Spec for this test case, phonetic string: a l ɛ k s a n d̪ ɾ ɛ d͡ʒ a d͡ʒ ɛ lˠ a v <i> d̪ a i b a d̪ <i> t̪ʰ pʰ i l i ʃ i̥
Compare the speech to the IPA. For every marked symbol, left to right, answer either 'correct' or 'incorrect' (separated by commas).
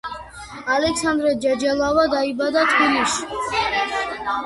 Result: incorrect, incorrect